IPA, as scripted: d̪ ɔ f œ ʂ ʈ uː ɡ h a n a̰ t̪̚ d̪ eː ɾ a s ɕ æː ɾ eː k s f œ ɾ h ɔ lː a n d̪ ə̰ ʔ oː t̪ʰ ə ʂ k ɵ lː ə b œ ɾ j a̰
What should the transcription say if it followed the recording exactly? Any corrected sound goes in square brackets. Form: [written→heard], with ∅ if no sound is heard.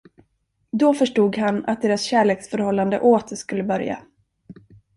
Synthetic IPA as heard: d̪ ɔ f œ ʂ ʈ uː ɡ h a n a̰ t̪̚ d̪ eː ɾ a s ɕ æː [ɾ→ɭ] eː k s f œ ɾ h ɔ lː a n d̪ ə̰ ʔ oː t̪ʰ ə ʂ k ɵ lː ə b œ ɾ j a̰